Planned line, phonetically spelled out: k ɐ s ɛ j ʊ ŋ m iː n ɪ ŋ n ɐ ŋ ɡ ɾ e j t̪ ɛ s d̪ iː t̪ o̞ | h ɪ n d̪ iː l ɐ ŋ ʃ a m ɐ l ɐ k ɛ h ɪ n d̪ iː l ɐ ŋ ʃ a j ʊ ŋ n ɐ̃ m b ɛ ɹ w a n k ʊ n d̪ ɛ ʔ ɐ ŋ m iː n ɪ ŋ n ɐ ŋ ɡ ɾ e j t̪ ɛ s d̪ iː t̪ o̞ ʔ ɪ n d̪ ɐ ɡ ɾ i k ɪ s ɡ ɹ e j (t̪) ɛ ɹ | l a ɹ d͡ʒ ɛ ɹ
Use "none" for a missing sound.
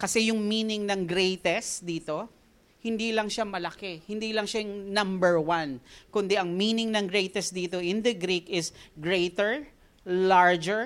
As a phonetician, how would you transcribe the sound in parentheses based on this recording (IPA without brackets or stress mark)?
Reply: t̪